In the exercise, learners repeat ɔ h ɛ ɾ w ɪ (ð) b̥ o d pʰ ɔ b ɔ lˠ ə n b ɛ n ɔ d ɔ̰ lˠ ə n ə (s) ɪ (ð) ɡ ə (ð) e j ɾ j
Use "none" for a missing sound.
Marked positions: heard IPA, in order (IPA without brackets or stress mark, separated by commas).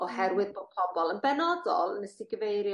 ð, s, none, v